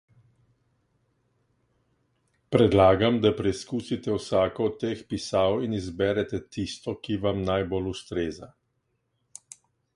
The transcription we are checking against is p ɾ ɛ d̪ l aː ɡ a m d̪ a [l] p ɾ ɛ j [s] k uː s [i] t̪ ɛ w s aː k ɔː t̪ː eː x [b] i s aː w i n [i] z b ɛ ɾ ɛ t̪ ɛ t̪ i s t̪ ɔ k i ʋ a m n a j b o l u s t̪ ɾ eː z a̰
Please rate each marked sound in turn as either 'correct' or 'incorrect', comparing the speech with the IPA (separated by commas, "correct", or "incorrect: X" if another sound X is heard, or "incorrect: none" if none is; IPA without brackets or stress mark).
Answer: incorrect: none, correct, correct, incorrect: p, correct